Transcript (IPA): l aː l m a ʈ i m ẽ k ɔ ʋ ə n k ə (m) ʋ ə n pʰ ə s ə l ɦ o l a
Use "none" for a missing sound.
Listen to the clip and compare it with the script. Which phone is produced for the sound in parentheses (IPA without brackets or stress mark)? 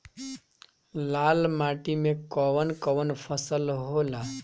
none